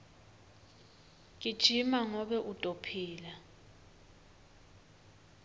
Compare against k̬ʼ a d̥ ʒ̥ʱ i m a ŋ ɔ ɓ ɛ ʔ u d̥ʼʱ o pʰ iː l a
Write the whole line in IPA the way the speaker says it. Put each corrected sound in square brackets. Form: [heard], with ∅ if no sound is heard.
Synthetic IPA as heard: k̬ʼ [i] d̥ ʒ̥ʱ i m a ŋ ɔ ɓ ɛ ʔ u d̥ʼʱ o pʰ iː l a